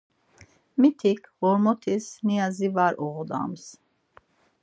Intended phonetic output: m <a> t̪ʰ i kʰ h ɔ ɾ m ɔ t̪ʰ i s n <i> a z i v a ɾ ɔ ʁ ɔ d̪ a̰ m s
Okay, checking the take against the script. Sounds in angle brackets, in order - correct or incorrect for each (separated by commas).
incorrect, correct